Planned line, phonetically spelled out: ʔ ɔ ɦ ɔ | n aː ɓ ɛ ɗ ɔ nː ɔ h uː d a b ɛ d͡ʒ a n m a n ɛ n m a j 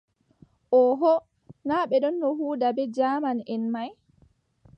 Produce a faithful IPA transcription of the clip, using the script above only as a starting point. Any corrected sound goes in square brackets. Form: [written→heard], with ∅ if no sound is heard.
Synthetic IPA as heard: ʔ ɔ ɦ ɔ | n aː ɓ ɛ ɗ ɔ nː ɔ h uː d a b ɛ d͡ʒ a [n→∅] m a n ɛ n m a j